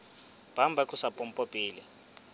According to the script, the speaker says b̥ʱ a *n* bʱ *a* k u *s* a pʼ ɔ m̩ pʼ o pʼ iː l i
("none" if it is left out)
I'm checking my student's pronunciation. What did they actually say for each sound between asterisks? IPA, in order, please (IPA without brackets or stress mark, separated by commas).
m, a, s